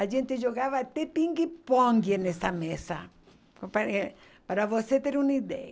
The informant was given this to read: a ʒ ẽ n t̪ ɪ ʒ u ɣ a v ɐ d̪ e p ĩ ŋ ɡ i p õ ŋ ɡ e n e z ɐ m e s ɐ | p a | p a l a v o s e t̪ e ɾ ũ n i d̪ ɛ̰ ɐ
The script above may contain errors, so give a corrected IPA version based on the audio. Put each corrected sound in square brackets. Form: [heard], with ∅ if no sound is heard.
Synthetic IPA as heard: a ʒ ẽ n t̪ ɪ ʒ [o] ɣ a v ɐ [t̪] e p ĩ ŋ ɡ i p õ ŋ ɡ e n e [s] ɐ m e s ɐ | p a | p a [ɾ] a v o s e t̪ e ɾ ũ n i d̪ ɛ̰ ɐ